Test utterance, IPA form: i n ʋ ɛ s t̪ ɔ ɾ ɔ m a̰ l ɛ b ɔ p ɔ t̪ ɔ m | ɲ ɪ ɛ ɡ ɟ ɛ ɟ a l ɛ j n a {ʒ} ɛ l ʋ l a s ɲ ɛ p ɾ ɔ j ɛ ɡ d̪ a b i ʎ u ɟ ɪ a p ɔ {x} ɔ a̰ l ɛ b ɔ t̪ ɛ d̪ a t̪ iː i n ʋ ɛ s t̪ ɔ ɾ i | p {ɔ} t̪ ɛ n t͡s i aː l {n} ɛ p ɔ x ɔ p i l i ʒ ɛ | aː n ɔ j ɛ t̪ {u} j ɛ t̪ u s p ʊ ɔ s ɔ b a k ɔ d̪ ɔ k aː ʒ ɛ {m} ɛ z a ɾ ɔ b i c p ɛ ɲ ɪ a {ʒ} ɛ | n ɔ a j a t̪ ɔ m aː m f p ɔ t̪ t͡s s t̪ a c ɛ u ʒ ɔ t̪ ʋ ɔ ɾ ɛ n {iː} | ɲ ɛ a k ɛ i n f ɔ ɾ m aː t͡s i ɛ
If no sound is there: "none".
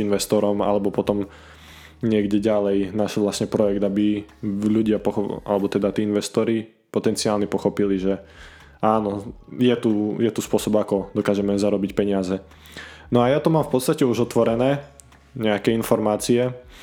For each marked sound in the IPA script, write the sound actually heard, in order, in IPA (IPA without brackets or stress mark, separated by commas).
ʃ, x, ɔ, ɲ, u, m, z, ɛː